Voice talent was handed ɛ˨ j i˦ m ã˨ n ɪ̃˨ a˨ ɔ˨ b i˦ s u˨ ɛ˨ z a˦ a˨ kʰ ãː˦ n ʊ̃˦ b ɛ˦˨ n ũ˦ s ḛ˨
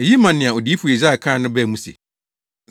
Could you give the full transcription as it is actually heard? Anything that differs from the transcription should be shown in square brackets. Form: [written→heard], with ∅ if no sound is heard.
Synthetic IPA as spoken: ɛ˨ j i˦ m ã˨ n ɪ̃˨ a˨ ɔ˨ [b→d] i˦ [s→f] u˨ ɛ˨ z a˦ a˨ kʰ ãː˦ n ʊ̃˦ b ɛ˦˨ [n→m] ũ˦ s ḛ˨